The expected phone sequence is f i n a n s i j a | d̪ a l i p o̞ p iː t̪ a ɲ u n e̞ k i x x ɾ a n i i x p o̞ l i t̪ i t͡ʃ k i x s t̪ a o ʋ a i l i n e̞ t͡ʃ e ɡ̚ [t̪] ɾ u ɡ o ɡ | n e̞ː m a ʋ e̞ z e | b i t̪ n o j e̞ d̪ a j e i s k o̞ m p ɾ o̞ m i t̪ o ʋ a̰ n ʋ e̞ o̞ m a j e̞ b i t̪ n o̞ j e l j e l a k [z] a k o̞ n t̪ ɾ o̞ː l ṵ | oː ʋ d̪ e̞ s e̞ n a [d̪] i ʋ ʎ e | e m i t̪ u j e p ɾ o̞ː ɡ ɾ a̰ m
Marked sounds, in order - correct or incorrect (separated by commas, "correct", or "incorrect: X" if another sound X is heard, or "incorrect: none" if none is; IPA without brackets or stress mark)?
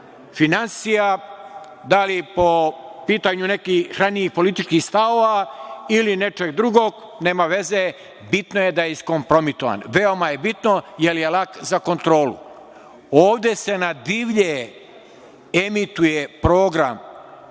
incorrect: d̪, correct, correct